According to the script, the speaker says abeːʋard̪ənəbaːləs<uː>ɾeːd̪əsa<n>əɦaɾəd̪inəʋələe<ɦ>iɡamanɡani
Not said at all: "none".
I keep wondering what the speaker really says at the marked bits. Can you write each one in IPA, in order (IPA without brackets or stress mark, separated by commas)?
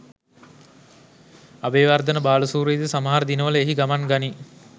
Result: uː, m, ɦ